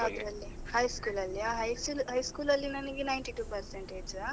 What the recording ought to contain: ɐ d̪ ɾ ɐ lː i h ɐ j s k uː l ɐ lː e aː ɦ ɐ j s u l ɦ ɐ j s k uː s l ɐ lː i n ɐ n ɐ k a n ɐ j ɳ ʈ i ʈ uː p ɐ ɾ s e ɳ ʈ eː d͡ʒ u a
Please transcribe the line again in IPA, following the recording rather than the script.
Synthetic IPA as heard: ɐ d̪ ɾ ɐ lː i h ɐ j s k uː l ɐ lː i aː ɦ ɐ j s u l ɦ ɐ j s k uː l ɐ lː i n ɐ n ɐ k i n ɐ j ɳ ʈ i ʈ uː p ɐ ɾ s e ɳ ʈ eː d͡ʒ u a

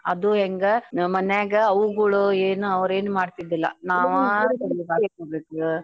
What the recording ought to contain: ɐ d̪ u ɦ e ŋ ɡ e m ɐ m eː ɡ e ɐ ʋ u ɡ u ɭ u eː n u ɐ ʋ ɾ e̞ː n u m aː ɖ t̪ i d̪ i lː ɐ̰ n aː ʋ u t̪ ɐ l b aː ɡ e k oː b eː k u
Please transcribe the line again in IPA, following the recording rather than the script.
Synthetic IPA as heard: ɐ d̪ u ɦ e ŋ ɡ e m ɐ n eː ɡ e ɐ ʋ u ɡ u ɭ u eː n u ɐ ʋ ɾ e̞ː n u m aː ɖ t̪ i d̪ i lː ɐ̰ n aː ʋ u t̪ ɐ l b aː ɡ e k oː b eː k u

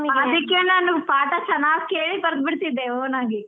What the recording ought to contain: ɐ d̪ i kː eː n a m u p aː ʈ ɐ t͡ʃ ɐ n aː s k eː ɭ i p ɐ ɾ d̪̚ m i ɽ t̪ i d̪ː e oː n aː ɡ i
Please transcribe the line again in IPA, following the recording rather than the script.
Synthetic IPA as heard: ɐ d̪ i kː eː n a n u p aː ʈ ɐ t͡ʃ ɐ n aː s k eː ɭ i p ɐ ɾ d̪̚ b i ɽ t̪ i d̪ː e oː n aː ɡ i

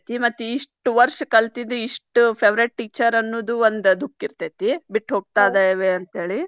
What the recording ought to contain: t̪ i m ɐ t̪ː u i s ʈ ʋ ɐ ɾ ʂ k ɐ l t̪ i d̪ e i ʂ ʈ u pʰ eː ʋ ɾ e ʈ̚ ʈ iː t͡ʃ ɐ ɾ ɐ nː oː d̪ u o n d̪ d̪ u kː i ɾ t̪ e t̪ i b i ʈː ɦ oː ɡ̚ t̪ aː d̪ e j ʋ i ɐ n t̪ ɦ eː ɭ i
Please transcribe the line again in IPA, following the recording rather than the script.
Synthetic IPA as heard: t̪ i m ɐ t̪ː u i ʂ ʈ ʋ ɐ ɾ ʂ k ɐ l t̪ i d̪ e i ʂ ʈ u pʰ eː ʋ ɾ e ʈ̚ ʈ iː t͡ʃ ɐ ɾ ɐ nː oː d̪ u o n d̪ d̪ u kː i ɾ t̪ e t̪ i b i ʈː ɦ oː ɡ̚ t̪ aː d̪ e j ʋ e ɐ n t̪ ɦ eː ɭ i

